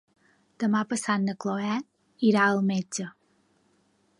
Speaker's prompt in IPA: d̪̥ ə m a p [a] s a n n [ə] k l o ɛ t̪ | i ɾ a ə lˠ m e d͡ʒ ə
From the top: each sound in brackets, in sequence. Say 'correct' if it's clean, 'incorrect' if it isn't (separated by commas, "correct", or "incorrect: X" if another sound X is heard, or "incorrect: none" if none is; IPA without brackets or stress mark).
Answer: incorrect: ə, correct